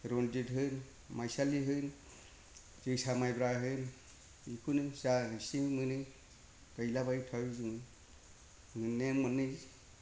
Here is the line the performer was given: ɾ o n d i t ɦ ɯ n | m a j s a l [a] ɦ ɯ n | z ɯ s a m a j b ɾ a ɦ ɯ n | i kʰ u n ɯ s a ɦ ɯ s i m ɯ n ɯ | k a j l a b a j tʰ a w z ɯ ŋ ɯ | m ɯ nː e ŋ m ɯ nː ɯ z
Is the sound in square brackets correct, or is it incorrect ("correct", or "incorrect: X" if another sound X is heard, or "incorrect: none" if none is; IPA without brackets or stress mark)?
incorrect: i